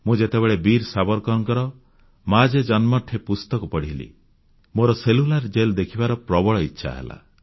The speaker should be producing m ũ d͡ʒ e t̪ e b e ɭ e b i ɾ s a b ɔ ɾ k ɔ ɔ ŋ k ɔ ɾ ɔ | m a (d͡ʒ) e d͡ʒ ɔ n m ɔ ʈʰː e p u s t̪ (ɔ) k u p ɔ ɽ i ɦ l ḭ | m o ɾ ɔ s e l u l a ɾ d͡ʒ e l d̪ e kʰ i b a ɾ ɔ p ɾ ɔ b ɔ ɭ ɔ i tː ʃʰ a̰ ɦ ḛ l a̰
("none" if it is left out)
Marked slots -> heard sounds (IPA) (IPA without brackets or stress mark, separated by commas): d͡ʒ, ɔ